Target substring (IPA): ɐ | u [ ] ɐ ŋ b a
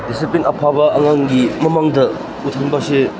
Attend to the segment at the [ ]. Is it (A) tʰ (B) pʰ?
A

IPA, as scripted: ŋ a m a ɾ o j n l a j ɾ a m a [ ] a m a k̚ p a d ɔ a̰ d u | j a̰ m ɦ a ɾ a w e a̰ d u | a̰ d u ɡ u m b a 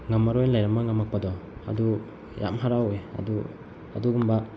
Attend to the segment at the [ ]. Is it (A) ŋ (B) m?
A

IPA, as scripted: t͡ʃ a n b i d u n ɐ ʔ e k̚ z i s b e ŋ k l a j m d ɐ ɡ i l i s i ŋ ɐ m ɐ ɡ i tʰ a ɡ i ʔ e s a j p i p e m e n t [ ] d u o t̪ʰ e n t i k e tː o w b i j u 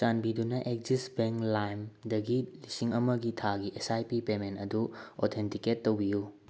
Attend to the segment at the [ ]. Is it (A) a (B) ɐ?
B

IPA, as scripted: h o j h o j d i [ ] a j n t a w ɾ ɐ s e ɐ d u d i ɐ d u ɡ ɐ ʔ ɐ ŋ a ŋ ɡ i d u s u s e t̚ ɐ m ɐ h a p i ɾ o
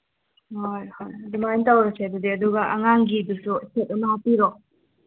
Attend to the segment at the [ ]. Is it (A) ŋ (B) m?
B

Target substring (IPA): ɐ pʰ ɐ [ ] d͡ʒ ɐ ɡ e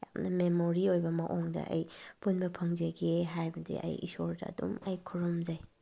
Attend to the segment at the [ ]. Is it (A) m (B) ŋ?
B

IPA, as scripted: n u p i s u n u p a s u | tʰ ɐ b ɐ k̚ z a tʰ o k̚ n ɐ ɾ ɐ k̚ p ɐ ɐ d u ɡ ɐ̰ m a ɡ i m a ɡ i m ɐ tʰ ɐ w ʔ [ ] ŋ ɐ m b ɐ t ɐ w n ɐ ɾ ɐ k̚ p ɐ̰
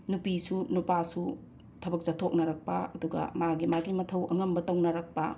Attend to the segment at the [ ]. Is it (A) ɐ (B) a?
A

